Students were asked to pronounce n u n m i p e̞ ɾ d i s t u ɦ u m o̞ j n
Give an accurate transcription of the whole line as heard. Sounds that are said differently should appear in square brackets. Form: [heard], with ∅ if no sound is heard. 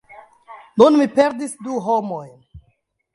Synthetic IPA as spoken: n u n m i p e̞ ɾ d i s [d] u ɦ [o] m o̞ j n